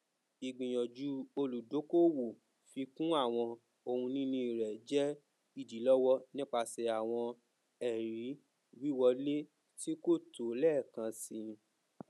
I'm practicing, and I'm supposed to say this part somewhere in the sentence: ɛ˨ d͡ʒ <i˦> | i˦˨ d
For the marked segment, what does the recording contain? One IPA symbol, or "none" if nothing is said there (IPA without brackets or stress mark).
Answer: ɛ˦